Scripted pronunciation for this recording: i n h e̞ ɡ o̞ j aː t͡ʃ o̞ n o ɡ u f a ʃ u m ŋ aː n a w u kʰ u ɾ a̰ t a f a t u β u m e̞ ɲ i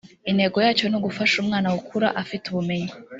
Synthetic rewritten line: i n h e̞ ɡ o̞ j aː t͡ʃ o̞ n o ɡ u f a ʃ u m ŋ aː n a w u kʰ u ɾ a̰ ʔ a f i t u β u m e̞ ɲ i